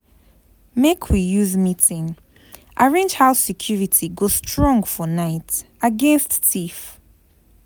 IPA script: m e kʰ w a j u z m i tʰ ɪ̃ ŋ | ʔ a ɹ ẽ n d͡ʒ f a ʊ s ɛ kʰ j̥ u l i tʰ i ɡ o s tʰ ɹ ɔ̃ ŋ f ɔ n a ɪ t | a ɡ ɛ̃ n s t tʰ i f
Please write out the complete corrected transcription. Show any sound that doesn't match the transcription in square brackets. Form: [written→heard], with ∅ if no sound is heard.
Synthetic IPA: m e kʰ w [a→i] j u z m i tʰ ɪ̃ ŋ | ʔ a ɹ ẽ n d͡ʒ [f→h] a ʊ s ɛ kʰ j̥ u [l→ɹ] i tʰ i ɡ o s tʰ ɹ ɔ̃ ŋ f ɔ n a ɪ t | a ɡ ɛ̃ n s t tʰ i f